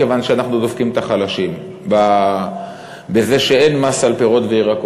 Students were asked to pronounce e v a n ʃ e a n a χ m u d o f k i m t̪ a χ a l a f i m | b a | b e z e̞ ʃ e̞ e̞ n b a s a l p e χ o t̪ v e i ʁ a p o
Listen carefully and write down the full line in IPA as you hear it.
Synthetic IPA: e v a n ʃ e a n a χ n u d o f k i m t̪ a χ a l a ʃ i m | b a | b e z e̞ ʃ e̞ e̞ n m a s a l p e ʁ o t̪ v e i ʁ a k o